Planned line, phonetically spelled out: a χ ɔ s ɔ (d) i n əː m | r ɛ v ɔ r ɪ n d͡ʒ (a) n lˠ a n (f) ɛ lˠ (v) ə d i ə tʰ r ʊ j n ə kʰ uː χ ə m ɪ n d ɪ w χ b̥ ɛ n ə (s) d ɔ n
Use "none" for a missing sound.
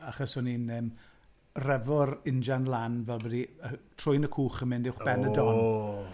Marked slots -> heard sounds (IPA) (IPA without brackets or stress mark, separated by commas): n, a, v, b, none